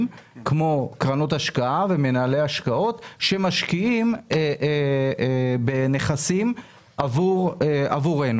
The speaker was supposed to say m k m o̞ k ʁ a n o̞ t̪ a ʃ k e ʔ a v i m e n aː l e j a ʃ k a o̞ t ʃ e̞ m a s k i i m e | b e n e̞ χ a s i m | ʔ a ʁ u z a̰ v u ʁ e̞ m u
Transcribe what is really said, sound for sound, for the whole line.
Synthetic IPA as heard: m k m o̞ k ʁ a n o̞ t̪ a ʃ k a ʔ a v e m e n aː l e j a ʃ k a o̞ t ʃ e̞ m a ʃ k i i m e | b e n e̞ χ a s i m | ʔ a v u ʁ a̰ v u ʁ e̞ n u